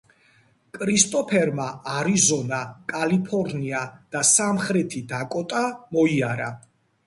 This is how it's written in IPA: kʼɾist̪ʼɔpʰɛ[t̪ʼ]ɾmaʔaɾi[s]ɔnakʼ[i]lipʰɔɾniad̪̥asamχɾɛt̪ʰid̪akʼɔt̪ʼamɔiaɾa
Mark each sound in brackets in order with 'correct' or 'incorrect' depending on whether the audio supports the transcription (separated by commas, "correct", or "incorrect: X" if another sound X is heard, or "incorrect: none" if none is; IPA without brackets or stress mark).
incorrect: none, incorrect: z, incorrect: a